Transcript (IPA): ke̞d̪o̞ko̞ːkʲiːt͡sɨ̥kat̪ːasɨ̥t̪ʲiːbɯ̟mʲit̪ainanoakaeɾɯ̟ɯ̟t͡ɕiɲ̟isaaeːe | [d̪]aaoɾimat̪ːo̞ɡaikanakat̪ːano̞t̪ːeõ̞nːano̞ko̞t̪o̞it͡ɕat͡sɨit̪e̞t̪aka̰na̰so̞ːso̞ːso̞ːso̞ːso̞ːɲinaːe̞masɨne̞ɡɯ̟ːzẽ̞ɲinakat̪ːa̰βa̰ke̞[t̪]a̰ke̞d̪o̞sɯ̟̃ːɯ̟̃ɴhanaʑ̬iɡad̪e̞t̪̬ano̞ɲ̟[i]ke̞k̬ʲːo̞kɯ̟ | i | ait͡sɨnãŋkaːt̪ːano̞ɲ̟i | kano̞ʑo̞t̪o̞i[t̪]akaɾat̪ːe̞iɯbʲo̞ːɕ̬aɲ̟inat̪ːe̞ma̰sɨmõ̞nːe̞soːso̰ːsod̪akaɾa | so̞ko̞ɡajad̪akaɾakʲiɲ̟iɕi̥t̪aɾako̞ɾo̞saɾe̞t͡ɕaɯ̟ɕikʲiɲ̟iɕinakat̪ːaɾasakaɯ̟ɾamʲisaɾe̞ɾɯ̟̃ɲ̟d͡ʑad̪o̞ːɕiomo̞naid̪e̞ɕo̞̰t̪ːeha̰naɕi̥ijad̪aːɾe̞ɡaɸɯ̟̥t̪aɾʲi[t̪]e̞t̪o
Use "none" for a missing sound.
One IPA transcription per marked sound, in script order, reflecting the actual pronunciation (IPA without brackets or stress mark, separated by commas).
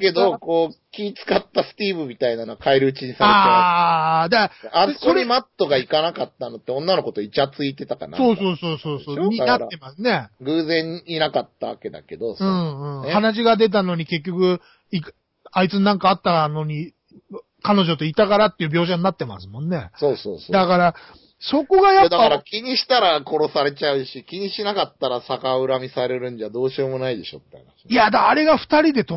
d̪, d̪, i, t̪, d̪